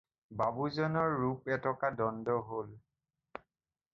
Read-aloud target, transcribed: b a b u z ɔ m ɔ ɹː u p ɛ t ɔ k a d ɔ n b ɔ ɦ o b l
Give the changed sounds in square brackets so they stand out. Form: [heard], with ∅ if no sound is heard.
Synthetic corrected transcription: b a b u z ɔ [n] ɔ ɹː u p ɛ t ɔ k a d ɔ n [d] ɔ ɦ o [∅] l

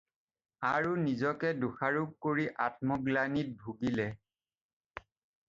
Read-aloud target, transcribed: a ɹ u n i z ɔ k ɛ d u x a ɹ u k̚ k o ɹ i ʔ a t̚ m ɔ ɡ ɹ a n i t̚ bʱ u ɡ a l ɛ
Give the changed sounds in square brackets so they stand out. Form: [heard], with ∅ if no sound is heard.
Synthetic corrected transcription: a ɹ u n i z ɔ k ɛ d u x a ɹ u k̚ k o ɹ i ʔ a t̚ m ɔ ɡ [l] a n i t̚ bʱ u ɡ [i] l ɛ

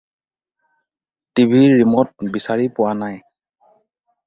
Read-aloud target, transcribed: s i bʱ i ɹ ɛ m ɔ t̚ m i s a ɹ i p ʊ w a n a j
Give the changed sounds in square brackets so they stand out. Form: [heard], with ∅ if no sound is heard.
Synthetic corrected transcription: [t] i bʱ i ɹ [i] m ɔ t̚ [b] i s a ɹ i p ʊ w a n a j

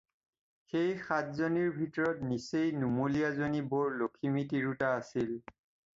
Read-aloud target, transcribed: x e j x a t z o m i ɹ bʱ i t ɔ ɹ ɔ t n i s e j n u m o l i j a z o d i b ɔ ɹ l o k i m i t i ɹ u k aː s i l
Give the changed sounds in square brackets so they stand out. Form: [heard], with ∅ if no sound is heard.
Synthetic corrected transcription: x e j x a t z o [n] i ɹ bʱ i t ɔ ɹ ɔ t n i s e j n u m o l i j a z o [n] i b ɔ ɹ l o [kʰ] i m i t i ɹ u [t] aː s i l

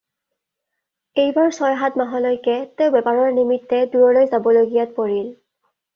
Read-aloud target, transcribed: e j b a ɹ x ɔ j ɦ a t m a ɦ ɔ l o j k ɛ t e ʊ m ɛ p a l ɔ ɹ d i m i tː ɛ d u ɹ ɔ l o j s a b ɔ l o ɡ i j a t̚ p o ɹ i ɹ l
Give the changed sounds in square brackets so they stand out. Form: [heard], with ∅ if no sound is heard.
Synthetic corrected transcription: e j b a ɹ [s] ɔ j ɦ a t m a ɦ ɔ l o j k ɛ t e ʊ [b] ɛ p a [ɹ] ɔ ɹ [n] i m i tː ɛ d u ɹ ɔ l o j [z] a b ɔ l o ɡ i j a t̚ p o ɹ i [∅] l

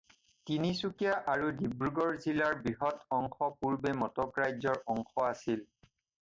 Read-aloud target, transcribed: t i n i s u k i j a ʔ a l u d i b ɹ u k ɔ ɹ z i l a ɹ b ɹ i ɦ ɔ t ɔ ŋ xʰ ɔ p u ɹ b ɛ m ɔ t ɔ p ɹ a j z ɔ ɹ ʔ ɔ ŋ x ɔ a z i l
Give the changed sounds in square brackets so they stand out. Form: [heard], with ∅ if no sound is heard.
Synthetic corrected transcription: t i n i s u k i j a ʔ a [ɹ] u d i b ɹ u [ɡ] ɔ ɹ z i l a ɹ b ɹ i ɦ ɔ t ɔ ŋ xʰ ɔ p u ɹ b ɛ m ɔ t ɔ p ɹ a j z ɔ ɹ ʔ ɔ ŋ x ɔ a [s] i l

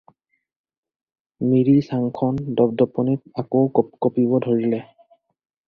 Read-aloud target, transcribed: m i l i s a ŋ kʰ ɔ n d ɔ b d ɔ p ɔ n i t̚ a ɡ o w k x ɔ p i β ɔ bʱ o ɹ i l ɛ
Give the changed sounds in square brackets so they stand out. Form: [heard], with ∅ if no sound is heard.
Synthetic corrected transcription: m i [ɹ] i s a ŋ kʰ ɔ n d ɔ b d ɔ p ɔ n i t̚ a [k] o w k [k] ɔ p i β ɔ [dʱ] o ɹ i l ɛ

